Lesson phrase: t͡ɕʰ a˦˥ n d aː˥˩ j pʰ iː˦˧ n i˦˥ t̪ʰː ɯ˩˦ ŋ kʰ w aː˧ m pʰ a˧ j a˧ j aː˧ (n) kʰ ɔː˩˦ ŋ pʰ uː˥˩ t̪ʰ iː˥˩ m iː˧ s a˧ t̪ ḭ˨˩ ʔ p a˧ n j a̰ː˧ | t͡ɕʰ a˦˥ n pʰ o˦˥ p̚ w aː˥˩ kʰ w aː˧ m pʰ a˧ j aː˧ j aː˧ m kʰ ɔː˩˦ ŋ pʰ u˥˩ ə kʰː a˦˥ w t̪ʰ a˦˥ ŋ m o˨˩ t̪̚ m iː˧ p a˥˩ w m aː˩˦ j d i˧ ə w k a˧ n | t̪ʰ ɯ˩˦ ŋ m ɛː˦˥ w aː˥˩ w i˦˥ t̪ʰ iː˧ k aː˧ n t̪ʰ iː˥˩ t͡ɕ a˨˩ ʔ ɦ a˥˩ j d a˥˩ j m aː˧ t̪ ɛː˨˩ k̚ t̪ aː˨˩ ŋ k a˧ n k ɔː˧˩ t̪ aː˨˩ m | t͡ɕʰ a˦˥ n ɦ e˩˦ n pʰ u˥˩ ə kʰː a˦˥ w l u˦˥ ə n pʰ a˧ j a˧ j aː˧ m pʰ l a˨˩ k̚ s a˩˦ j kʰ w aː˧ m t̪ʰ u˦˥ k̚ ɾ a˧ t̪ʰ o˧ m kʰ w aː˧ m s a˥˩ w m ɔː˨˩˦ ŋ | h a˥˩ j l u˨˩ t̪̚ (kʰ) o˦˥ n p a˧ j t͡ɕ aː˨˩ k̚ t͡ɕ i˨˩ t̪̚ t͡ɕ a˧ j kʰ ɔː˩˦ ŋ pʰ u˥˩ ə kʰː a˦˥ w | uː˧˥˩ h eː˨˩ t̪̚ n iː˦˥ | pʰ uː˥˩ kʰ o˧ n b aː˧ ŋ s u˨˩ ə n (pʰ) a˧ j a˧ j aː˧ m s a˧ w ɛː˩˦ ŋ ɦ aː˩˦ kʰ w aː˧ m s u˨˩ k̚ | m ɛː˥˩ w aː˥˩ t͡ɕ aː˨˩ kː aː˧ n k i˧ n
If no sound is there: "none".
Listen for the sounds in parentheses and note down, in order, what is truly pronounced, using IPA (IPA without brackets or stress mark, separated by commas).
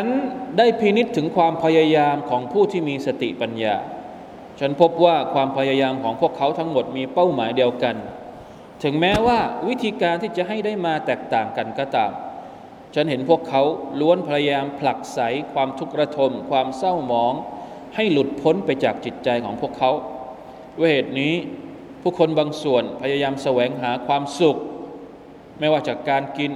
m, pʰ, pʰ